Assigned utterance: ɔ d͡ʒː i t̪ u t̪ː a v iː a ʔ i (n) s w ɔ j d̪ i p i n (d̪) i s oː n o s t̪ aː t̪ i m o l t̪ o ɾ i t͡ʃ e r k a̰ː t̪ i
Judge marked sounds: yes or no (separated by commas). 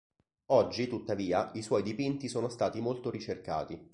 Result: no, no